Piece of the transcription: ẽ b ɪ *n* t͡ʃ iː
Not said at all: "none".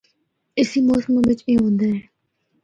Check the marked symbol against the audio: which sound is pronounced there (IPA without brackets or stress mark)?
none